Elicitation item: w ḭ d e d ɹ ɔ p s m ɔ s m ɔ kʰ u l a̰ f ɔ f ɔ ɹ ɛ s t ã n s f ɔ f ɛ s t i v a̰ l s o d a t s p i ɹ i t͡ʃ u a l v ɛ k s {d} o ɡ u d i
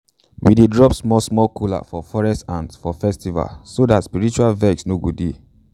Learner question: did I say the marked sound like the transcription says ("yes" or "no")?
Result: no